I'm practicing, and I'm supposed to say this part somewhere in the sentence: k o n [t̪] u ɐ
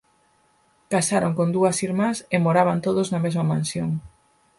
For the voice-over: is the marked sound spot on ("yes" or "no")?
no